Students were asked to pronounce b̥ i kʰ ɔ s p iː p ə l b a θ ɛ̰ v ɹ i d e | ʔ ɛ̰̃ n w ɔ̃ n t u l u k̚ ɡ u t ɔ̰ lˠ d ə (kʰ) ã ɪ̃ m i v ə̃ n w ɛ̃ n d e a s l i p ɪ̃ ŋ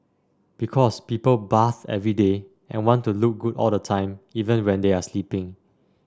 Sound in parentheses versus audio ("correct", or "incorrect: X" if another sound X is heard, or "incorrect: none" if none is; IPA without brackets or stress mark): incorrect: tʰ